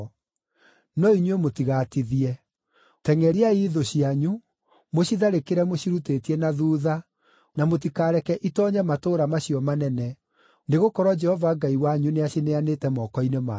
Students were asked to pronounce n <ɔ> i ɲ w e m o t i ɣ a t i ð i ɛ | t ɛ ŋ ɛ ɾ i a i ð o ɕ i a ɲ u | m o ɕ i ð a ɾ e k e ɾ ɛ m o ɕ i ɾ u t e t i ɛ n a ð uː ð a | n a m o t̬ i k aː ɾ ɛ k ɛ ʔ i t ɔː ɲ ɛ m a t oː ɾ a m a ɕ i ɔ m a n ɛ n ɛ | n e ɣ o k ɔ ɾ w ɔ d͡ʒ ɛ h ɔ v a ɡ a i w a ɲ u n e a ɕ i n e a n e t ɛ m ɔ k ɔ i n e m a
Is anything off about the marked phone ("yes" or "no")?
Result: no